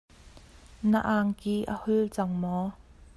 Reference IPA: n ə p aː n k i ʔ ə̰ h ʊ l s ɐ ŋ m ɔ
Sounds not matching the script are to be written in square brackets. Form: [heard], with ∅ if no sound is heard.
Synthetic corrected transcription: n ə [ʔ] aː [ŋ] k i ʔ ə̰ h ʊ l [t͡s] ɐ ŋ m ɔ